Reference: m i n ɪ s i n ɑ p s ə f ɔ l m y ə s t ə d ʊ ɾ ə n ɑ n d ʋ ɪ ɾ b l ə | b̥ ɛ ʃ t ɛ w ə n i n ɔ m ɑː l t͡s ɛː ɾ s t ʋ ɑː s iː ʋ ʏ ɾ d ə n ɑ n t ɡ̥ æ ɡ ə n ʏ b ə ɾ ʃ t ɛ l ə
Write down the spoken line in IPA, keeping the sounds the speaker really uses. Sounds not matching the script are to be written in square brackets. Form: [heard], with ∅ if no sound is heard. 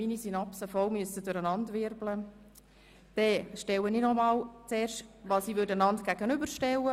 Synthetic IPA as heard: m i n [i] s i n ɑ p s ə f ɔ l m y ə s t ə d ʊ ɾ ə n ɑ n d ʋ ɪ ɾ b l ə | [d̥] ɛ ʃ t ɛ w ə n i n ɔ m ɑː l t͡s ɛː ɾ [ʃ] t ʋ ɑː s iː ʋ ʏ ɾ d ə n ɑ n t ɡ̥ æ ɡ ə n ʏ b ə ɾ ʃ t ɛ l ə